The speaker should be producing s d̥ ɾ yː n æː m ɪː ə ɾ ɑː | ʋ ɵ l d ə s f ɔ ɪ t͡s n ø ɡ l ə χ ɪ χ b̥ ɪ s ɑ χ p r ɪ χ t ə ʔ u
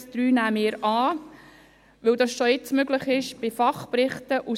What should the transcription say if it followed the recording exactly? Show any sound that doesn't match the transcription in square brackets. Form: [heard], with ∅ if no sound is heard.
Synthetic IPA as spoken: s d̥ ɾ yː n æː m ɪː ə ɾ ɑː | ʋ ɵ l d [ɑ] s [ʃ] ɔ ɪ t͡s [m] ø ɡ l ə χ ɪ [ʃ] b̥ ɪ [f] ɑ χ p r ɪ χ t ə ʔ u